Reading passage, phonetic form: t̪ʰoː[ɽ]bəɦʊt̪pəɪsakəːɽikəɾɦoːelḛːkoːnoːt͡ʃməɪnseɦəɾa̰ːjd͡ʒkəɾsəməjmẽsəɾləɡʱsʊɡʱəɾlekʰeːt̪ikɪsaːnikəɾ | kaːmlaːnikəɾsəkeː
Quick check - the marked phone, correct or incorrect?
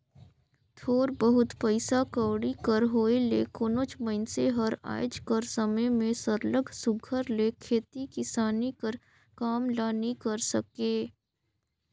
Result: incorrect